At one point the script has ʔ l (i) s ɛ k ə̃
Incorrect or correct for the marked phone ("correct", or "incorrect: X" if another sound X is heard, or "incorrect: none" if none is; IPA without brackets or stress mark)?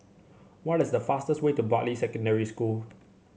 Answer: correct